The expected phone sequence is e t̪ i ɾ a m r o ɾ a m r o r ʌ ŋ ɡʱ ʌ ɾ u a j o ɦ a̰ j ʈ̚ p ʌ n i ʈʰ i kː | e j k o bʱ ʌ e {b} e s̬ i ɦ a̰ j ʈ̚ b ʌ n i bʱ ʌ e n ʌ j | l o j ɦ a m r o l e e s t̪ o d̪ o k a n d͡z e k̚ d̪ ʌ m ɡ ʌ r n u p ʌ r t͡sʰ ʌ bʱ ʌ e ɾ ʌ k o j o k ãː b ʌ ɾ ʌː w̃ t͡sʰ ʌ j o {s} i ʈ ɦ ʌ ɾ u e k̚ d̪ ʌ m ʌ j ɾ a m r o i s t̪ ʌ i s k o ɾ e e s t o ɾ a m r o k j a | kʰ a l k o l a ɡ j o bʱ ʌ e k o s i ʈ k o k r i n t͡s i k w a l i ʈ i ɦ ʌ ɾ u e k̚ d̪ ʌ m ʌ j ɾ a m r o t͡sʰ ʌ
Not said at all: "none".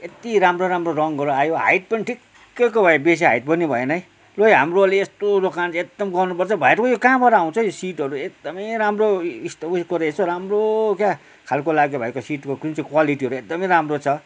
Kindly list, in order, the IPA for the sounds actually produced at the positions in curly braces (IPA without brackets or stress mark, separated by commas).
b, s